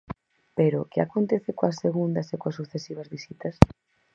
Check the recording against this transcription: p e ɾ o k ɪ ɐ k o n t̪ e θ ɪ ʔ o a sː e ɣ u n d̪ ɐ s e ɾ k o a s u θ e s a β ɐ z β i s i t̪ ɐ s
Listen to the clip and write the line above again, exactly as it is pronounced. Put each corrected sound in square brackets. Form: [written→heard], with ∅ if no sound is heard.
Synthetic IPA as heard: p e ɾ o k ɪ [ɐ→a] k o n t̪ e θ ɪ [ʔ→k] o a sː e ɣ u n d̪ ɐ s e [ɾ→∅] k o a s u θ e s [a→i] β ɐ z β i s i t̪ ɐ s